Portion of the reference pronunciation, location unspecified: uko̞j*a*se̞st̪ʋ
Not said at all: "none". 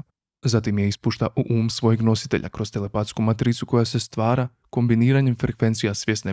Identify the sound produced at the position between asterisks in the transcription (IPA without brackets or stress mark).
a